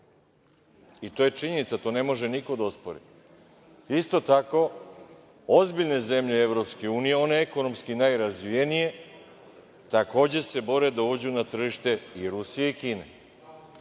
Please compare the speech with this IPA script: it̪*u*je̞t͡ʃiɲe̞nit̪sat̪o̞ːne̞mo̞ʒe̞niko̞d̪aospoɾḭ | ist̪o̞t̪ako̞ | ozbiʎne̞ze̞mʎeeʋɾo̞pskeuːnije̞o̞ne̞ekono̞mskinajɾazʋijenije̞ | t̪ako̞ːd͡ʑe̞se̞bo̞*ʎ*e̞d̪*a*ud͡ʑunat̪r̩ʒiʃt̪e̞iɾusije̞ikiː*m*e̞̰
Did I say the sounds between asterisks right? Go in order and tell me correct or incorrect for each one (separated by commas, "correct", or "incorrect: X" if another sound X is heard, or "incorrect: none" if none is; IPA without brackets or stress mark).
incorrect: o, incorrect: ɾ, correct, incorrect: n